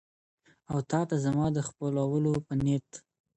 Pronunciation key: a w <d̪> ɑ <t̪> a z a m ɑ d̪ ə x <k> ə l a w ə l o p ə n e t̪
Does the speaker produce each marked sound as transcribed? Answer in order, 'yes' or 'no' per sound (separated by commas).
no, yes, no